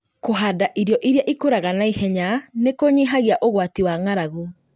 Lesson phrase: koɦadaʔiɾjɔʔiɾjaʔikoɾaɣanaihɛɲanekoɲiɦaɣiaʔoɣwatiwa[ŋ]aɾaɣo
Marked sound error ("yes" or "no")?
no